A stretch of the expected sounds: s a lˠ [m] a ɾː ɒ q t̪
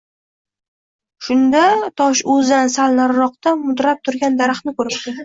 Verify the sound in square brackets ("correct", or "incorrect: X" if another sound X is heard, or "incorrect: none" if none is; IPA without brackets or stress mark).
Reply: incorrect: n